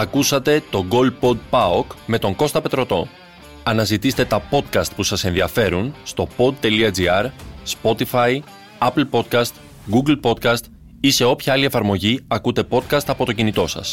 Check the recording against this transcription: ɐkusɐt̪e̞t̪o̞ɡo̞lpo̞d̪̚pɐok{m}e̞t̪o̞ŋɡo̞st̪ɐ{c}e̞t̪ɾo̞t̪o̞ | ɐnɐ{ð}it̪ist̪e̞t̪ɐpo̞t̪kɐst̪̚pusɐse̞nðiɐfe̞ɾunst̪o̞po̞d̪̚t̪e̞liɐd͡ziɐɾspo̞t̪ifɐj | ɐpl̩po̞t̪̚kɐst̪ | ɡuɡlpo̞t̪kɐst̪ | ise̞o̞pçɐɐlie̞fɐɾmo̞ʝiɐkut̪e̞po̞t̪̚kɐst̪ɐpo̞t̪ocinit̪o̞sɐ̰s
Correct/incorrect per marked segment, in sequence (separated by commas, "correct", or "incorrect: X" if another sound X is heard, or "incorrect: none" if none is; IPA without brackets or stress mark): correct, incorrect: p, incorrect: z